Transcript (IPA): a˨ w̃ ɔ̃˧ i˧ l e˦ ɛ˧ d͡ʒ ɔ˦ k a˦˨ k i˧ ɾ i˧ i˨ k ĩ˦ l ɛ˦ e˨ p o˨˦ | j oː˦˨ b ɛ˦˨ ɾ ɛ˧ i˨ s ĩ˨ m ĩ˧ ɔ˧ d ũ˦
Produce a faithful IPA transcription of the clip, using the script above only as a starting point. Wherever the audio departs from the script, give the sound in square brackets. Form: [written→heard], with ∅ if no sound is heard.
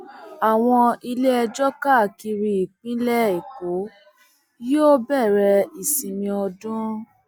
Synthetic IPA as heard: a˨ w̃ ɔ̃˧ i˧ l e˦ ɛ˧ d͡ʒ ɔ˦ k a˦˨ k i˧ ɾ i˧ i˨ [k→k͡p] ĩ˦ l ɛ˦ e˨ [p→k] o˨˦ | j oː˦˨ b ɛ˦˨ ɾ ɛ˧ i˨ s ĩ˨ m ĩ˧ ɔ˧ d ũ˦